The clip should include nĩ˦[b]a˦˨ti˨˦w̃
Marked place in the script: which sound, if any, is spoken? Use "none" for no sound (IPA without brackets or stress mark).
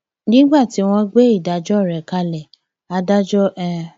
ɡ͡b